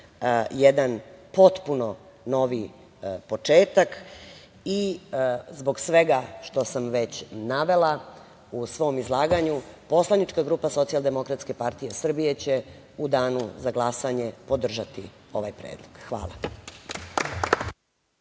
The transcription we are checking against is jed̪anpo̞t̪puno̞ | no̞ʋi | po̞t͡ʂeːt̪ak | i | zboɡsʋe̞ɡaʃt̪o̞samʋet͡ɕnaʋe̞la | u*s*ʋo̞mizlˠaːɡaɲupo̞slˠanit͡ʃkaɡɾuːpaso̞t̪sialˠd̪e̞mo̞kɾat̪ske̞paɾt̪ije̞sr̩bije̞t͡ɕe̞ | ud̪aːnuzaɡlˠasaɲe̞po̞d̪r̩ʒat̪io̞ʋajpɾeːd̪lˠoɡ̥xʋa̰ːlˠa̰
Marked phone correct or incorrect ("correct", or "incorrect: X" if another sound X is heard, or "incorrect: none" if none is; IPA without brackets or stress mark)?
correct